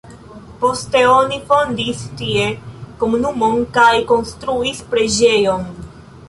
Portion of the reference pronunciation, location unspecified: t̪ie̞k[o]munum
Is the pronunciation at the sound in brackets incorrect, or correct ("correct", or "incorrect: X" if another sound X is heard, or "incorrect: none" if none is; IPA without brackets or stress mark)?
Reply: correct